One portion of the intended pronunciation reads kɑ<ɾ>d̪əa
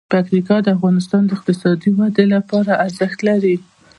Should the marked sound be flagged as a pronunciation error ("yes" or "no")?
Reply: yes